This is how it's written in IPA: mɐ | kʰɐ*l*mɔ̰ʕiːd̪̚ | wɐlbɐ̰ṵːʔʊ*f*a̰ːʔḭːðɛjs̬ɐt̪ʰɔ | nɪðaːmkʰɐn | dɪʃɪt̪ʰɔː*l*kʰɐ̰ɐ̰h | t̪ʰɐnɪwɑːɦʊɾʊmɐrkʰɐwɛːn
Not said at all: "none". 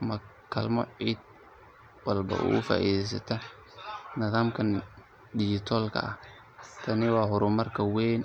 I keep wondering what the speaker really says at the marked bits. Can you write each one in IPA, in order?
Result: l, f, l

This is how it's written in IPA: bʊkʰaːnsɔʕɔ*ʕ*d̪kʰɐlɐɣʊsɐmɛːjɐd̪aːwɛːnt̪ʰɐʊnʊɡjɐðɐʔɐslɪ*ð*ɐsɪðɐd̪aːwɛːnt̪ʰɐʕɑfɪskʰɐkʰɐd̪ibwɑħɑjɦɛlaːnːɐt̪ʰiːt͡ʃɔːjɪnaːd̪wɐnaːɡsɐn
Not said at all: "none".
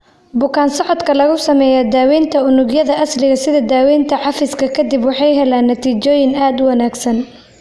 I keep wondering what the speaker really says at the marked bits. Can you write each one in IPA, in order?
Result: none, ɣ

